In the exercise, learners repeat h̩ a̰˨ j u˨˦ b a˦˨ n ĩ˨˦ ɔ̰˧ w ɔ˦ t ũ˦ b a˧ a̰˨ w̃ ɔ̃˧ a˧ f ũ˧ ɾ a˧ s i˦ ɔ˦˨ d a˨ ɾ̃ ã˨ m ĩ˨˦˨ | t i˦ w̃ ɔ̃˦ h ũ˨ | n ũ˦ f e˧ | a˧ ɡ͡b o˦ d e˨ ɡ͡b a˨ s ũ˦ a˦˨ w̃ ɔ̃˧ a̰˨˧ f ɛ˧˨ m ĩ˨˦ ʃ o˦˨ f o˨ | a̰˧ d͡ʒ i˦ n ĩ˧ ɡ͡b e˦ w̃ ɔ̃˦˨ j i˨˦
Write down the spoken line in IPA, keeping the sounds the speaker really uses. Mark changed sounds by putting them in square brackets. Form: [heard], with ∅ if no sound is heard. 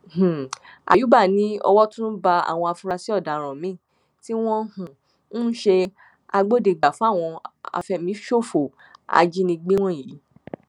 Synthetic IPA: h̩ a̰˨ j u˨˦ b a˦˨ n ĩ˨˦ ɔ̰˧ w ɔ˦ t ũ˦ b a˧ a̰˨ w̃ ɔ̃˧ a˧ f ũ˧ ɾ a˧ s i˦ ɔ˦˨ d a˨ ɾ̃ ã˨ m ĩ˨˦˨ | t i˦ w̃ ɔ̃˦ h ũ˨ | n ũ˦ [ʃ] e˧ | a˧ ɡ͡b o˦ d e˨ ɡ͡b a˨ [f] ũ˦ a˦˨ w̃ ɔ̃˧ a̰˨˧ f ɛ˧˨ m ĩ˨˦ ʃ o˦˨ f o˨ | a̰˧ d͡ʒ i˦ n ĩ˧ ɡ͡b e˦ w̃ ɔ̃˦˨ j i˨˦